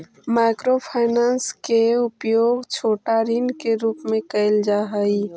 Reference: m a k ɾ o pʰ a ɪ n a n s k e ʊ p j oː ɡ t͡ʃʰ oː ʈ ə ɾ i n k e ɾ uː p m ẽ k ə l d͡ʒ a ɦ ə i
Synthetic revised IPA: m a k ɾ o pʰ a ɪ n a n s k e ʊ p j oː ɡ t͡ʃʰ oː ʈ a ɾ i n k e ɾ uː p m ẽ k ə l d͡ʒ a ɦ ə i